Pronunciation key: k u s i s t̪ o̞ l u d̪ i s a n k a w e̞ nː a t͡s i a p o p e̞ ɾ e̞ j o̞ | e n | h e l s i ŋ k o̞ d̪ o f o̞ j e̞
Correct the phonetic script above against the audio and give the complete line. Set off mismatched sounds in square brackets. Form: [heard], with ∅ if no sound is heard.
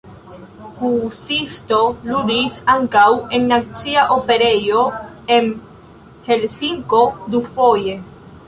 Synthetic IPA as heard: k u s i s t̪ o̞ l u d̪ i s a [ŋ] k a w e̞ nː a t͡s i a [ʔ] o p e̞ ɾ e̞ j o̞ | e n | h e l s i ŋ k o̞ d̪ [u] f o̞ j e̞

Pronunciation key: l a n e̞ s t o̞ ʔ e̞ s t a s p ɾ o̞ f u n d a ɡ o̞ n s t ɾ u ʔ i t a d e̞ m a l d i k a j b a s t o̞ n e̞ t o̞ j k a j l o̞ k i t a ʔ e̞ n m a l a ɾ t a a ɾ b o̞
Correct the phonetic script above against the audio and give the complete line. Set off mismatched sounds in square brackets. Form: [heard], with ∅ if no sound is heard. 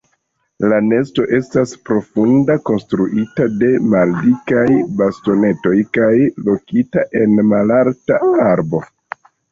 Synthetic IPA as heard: l a n e̞ s t o̞ ʔ e̞ s t a s p ɾ o̞ f u n d a [k] o̞ n s t ɾ u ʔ i t a d e̞ m a l d i k a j b a s t o̞ n e̞ t o̞ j k a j l o̞ k i t a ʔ e̞ n m a l a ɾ t a a ɾ b o̞

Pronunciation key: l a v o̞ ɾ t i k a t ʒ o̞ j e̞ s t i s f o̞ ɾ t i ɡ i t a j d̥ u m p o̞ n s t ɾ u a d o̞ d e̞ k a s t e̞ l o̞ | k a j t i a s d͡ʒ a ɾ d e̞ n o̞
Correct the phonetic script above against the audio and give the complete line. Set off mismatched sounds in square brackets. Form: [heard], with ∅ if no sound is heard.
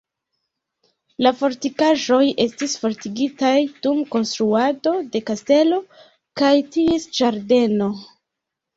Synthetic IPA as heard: l a [f] o̞ ɾ t i k a [∅] ʒ o̞ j e̞ s t i s f o̞ ɾ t i ɡ i t a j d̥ u m [k] o̞ n s t ɾ u a d o̞ d e̞ k a s t e̞ l o̞ | k a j t i [e] s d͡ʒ a ɾ d e̞ n o̞

